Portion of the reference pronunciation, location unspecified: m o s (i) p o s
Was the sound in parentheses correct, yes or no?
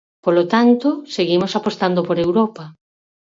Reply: no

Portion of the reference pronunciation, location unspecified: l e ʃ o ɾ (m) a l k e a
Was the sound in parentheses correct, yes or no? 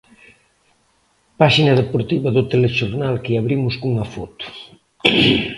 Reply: no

